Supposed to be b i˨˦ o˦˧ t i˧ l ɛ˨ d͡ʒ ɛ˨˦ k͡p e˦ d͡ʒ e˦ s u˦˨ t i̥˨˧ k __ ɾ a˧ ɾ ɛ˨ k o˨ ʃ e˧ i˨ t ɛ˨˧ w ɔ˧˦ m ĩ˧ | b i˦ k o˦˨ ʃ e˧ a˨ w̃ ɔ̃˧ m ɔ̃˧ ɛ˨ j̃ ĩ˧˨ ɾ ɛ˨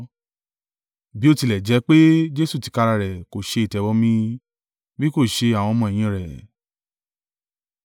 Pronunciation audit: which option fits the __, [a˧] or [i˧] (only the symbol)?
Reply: a˧